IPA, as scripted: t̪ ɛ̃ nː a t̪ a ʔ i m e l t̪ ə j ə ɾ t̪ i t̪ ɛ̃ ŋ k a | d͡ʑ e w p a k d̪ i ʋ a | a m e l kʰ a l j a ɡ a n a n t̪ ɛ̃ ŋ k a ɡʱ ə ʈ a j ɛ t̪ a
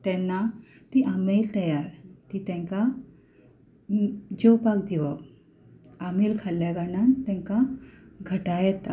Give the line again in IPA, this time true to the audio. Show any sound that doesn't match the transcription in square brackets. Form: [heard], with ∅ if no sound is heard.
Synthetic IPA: t̪ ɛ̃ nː a t̪ [i] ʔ [a] m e l t̪ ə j [a] ɾ t̪ i t̪ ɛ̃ ŋ k a | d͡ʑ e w p a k d̪ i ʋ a | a m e l kʰ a l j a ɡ a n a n t̪ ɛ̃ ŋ k a ɡʱ ə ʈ a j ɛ t̪ a